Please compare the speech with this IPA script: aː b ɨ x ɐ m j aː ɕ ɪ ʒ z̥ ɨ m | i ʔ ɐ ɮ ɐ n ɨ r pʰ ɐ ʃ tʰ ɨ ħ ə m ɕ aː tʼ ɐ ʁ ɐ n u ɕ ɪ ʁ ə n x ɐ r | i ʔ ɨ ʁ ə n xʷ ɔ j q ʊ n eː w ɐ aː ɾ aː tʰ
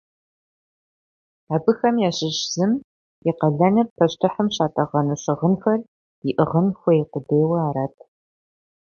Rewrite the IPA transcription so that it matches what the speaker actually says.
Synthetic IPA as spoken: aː b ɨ x ɐ m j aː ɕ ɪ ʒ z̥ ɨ m | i q ɐ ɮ ɐ n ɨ r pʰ ɐ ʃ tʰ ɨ ħ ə m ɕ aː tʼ ɐ ʁ ɐ n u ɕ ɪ ʁ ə n x ɐ r | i ʔ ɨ ʁ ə n xʷ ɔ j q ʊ d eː w ɐ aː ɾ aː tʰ

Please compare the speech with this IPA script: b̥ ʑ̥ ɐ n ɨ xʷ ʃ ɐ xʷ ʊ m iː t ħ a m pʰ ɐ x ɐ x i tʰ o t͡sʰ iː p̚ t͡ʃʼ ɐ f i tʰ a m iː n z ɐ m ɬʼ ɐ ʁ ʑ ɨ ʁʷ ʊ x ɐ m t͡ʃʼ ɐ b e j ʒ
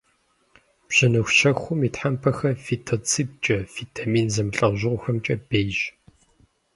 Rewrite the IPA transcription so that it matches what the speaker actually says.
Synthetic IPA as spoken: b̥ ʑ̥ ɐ n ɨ xʷ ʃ ɐ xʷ ʊ m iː t ħ a m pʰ ɐ x ɐ f i tʰ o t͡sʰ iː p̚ t͡ʃʼ ɐ f i tʰ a m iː n z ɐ m ɬʼ ɐ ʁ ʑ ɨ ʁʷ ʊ x ɐ m t͡ʃʼ ɐ b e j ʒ

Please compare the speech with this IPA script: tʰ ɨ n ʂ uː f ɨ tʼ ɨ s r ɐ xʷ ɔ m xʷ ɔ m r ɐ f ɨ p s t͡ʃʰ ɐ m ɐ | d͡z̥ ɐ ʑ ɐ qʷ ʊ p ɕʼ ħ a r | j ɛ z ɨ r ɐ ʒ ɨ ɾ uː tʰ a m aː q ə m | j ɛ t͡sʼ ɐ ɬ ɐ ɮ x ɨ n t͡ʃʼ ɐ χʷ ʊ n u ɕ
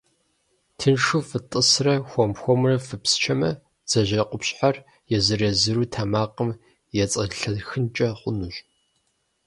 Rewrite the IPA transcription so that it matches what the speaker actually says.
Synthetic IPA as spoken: tʰ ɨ n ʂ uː f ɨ tʼ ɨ s r ɐ xʷ ɔ m xʷ ɔ m r ɐ f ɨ p s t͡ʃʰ ɐ m ɐ | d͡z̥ ɐ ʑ ɐ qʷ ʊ p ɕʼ ħ a r | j ɛ z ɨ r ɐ z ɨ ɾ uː tʰ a m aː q ə m | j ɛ t͡sʼ ɐ ɬ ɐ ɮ x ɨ n t͡ʃʼ ɐ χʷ ʊ n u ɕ

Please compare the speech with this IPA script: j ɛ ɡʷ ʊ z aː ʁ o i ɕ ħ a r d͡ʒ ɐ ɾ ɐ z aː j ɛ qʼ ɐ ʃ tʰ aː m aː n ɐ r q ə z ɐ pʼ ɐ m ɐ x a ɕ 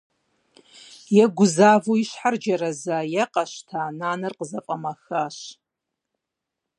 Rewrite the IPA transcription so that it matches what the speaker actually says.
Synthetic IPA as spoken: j ɛ ɡʷ ʊ z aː v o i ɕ ħ a r d͡ʒ ɐ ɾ ɐ z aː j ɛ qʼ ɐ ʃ tʰ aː n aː n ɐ r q ə z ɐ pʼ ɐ m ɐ x a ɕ

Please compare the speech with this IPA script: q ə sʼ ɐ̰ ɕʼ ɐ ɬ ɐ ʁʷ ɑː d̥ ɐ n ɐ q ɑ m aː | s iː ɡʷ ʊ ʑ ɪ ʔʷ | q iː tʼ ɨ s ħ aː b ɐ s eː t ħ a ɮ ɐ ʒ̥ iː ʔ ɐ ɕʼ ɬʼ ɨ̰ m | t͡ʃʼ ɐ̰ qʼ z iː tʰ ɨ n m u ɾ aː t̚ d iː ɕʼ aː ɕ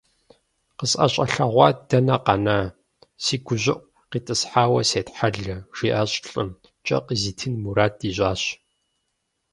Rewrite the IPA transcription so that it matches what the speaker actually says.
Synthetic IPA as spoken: q ə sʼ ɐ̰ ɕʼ ɐ ɬ ɐ ʁʷ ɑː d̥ ɐ n ɐ q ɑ n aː | s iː ɡʷ ʊ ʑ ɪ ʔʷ | q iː tʼ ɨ s ħ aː w ɐ s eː t ħ a ɮ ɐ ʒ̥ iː ʔ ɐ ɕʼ ɬʼ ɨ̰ m | t͡ʃʼ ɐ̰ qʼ z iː tʰ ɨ n m u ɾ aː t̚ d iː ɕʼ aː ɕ

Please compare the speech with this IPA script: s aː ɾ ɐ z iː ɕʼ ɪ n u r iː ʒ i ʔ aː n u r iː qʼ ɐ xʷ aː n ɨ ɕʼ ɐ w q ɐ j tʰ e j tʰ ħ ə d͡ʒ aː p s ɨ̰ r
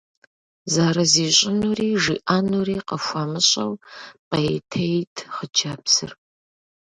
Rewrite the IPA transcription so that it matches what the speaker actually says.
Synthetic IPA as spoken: z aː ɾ ɐ z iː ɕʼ ɪ n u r iː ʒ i ʔ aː n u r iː q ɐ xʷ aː m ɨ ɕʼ ɐ w q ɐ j tʰ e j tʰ χ ə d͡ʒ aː p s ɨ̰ r

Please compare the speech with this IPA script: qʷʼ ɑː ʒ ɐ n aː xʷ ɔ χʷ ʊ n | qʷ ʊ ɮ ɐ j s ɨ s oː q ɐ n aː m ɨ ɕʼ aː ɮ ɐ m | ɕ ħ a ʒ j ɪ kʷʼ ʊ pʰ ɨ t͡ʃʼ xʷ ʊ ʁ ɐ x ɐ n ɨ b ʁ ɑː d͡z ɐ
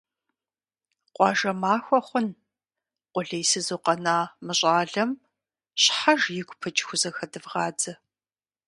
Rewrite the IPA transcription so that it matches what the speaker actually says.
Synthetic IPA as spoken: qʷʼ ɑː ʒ ɐ m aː xʷ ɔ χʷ ʊ n | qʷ ʊ ɮ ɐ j s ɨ z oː q ɐ n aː m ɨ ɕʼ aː ɮ ɐ m | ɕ ħ a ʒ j ɪ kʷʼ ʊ pʰ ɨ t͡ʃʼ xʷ ʊ z ɐ x ɐ d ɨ v ʁ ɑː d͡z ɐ

